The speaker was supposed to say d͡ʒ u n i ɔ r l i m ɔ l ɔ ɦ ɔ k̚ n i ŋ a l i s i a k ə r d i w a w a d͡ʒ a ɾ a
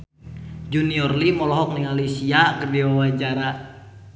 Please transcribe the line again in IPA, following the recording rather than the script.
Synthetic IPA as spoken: d͡ʒ u n i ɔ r l i m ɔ l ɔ ɦ ɔ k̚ n i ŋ a l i s i a k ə r d i w a w a d͡ʒ a ɾ a